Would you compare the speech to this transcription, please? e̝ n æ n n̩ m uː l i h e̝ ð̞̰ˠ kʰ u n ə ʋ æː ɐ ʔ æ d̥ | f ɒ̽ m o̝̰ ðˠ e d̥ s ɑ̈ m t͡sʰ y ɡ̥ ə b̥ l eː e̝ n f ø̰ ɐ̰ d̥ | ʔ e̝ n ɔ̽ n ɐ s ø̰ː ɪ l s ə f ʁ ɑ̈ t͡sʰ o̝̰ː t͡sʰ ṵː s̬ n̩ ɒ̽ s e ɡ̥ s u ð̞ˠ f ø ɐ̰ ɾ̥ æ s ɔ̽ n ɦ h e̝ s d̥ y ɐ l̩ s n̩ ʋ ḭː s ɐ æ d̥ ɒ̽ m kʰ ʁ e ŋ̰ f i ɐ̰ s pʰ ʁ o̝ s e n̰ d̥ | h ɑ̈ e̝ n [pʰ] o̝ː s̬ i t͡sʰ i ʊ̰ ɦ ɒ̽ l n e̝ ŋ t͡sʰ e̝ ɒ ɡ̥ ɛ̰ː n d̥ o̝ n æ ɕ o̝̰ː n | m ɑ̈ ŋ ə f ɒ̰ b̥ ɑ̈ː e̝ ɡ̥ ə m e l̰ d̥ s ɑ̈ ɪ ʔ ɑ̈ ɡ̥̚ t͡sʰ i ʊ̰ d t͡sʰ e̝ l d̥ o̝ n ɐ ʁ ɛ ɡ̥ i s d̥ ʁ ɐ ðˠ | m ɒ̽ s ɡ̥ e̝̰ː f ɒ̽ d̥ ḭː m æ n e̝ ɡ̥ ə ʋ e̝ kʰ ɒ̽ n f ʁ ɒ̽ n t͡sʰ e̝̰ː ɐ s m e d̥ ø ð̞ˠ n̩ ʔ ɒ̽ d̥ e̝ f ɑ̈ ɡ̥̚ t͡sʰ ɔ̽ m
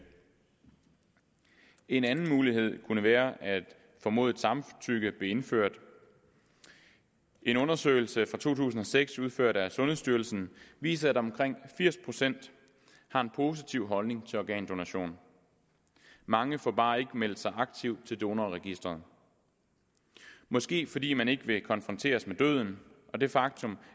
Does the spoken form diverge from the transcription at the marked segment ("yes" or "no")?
no